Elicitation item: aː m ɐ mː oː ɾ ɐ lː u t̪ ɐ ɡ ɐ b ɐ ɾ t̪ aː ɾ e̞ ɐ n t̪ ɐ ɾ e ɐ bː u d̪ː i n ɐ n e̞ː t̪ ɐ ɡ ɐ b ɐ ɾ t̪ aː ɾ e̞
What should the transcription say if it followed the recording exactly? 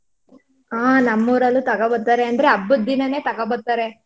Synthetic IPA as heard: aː n ɐ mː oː ɾ ɐ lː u t̪ ɐ ɡ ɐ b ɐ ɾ t̪ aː ɾ e̞ ɐ n d̪ ɐ ɾ e ɐ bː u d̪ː i n ɐ n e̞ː t̪ ɐ ɡ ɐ b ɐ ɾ t̪ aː ɾ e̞